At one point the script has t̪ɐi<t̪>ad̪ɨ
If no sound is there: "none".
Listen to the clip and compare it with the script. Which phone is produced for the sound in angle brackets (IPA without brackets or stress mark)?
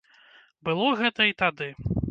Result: t̪